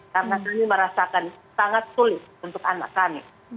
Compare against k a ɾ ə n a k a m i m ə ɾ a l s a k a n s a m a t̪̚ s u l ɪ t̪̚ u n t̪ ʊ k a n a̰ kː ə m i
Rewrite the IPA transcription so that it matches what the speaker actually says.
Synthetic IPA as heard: k a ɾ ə n a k a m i m ə ɾ a s a k a n s a ŋ a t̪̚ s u l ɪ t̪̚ u n t̪ ʊ k a n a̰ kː a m i